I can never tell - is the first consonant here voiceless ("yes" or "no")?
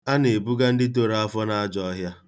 no